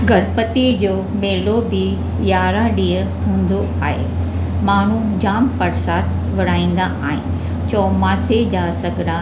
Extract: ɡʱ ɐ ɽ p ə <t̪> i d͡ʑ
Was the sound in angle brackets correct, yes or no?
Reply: yes